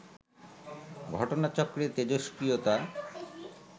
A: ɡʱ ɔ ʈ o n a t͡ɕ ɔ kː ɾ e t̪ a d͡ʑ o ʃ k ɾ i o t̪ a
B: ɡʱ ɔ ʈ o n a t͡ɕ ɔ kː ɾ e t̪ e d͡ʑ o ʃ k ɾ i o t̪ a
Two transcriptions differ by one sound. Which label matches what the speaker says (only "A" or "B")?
B